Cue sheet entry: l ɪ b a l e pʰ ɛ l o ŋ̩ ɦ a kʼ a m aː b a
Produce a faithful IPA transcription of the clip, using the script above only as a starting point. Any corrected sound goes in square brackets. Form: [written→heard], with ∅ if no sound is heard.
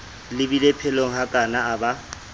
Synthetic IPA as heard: l ɪ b [a→i] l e pʰ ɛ l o ŋ̩ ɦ a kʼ a [m→n] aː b a